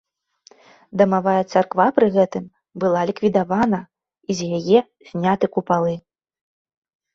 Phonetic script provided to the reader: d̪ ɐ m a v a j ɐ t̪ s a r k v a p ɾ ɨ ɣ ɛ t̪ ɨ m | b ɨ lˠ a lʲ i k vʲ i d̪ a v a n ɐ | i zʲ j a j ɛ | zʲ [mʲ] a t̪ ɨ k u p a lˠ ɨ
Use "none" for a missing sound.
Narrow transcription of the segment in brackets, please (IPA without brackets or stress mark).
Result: nʲ